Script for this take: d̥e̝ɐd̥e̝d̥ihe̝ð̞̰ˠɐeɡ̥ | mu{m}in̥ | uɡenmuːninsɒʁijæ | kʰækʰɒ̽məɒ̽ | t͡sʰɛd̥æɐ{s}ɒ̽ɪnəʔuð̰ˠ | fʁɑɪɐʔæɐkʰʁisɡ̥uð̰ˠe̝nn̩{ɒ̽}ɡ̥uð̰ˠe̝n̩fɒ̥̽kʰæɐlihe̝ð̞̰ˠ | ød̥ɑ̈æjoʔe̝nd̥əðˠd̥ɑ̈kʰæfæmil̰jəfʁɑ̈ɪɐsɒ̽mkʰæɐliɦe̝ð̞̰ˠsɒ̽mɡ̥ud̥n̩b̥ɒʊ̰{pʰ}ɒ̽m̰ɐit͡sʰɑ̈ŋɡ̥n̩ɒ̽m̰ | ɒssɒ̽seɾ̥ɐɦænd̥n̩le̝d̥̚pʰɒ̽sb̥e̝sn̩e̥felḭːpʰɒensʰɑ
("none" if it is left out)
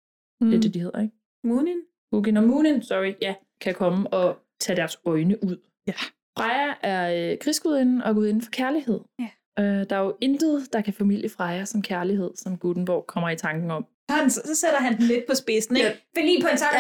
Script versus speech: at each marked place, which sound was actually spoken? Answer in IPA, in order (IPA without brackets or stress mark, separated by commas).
n, s, ɒ̽, kʰ